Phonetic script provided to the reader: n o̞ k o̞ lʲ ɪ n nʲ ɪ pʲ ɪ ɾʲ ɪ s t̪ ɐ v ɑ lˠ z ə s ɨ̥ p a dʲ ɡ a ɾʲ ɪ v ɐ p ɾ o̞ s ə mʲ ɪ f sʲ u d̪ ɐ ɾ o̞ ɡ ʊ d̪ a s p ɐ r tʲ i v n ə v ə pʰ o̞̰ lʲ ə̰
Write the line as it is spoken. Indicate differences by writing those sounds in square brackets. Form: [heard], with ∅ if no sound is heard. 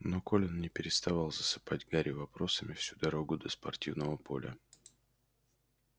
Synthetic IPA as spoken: n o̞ k o̞ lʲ ɪ n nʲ ɪ pʲ ɪ ɾʲ ɪ s t̪ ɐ v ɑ lˠ z ə s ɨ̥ p a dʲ ɡ a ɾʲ ɪ v ɐ p ɾ o̞ s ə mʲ ɪ f sʲ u d̪ ɐ ɾ o̞ ɡ ʊ d̪ [ə] s p ɐ r tʲ i v n ə v ə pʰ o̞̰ lʲ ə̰

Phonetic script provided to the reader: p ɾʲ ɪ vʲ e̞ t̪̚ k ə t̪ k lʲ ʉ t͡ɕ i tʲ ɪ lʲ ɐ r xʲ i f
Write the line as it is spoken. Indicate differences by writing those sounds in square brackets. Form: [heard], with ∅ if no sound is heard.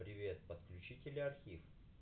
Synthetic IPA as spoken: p ɾʲ ɪ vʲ e̞ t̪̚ [p] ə t̪ k lʲ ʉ t͡ɕ i tʲ ɪ lʲ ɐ r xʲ i f

